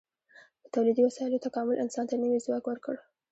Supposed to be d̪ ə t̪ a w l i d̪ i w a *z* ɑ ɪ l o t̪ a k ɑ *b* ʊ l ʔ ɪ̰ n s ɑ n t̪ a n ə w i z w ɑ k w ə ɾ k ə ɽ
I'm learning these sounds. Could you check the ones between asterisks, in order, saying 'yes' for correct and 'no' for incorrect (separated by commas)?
no, no